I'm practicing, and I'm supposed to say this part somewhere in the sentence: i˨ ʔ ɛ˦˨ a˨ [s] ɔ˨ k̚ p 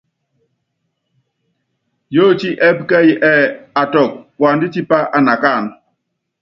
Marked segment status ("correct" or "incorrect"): incorrect